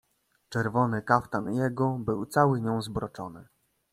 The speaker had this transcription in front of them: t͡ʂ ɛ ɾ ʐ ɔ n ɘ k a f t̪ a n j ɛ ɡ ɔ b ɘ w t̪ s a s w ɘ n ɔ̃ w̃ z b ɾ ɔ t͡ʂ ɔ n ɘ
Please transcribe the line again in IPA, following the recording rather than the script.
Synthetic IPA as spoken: t͡ʂ ɛ ɾ v ɔ n ɘ k a f t̪ a n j ɛ ɡ ɔ b ɘ w t̪ s a w ɘ ɲ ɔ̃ w̃ z b ɾ ɔ t͡ʂ ɔ n ɘ